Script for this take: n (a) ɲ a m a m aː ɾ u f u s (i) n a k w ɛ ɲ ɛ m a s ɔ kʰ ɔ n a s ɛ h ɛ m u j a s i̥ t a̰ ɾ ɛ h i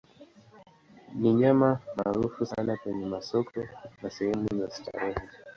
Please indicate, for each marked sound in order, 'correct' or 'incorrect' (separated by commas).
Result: incorrect, incorrect